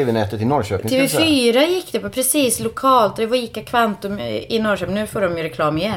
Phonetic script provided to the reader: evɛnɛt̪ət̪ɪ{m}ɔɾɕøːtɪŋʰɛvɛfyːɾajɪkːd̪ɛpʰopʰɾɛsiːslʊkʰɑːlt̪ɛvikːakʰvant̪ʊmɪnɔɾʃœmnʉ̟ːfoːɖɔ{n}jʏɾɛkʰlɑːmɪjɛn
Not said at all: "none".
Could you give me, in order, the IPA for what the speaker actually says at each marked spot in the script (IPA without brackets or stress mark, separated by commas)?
n, m